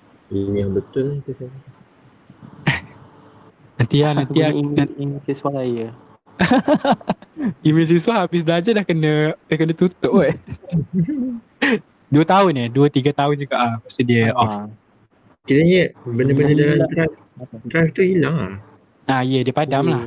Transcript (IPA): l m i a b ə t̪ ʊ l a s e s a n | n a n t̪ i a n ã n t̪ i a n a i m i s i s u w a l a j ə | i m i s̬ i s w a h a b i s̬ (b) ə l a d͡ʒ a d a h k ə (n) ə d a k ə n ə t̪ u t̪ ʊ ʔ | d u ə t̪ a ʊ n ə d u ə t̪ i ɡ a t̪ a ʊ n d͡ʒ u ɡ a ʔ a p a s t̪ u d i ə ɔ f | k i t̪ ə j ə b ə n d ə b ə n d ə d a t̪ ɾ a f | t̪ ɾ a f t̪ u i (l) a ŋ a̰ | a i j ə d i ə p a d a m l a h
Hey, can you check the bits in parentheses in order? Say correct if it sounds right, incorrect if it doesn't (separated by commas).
correct, correct, correct